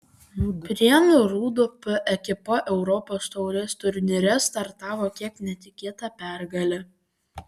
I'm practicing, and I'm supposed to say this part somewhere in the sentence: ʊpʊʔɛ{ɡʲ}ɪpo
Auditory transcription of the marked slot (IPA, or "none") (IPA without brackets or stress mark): kʲ